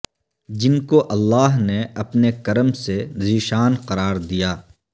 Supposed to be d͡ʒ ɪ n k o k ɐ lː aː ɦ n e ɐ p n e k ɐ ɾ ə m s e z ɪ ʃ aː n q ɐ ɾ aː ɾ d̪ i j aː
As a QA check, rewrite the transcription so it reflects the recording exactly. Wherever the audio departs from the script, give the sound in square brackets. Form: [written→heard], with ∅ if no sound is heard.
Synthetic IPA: d͡ʒ ɪ n k o [k→ʔ] ɐ lː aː ɦ n e ɐ p n e k ɐ ɾ ə m s e z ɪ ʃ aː n q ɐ ɾ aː ɾ d̪ i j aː